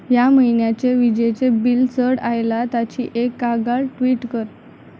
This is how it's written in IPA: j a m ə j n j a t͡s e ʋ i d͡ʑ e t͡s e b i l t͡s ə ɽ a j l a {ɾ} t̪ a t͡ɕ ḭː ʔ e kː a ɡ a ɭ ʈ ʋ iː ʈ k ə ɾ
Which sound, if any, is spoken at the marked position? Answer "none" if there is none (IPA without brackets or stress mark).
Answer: none